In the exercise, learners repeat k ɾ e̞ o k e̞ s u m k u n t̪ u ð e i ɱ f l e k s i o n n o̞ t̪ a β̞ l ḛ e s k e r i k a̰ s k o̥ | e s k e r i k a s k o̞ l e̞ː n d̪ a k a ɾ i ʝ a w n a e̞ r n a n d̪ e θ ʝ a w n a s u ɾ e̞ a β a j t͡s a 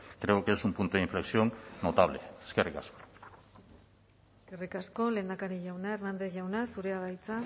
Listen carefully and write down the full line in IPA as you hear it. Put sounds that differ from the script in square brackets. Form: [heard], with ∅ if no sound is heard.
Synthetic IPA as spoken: k ɾ e̞ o k e̞ s u m [p] u n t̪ u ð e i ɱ f l e k s i o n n o̞ t̪ a β̞ l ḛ e s k e r i k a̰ s k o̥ | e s k e r i k a s k o̞ l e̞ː n d̪ a k a ɾ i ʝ a w n a e̞ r n a n d̪ e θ ʝ a w n a s u ɾ e̞ a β a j t͡s a